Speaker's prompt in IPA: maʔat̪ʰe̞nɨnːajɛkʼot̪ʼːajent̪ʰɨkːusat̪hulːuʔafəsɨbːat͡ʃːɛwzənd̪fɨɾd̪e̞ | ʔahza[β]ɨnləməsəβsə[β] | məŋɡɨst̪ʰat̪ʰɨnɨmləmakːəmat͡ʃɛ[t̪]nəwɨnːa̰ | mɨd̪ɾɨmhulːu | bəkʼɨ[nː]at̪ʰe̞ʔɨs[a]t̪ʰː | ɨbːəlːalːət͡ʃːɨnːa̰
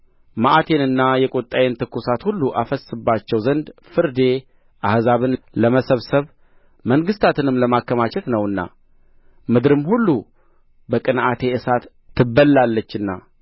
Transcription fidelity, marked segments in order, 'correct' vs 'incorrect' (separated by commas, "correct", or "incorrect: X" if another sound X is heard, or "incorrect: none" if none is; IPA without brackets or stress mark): correct, correct, correct, incorrect: n, correct